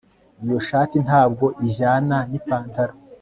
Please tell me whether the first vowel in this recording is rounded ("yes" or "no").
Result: no